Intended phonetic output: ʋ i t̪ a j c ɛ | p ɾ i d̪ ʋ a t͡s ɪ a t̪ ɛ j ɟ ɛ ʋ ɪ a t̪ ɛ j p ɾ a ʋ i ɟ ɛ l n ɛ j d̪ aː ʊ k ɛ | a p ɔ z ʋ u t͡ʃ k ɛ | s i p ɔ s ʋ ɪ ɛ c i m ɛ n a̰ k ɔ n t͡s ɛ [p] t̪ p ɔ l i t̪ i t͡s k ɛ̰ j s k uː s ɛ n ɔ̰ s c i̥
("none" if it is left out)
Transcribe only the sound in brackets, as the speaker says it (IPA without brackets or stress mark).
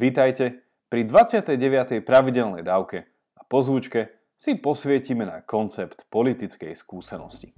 p